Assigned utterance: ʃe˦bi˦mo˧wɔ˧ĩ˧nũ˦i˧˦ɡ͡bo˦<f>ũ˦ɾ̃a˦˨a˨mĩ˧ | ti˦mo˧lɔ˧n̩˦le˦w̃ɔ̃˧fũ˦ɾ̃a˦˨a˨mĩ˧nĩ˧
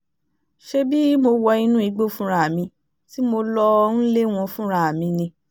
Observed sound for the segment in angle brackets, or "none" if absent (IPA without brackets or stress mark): f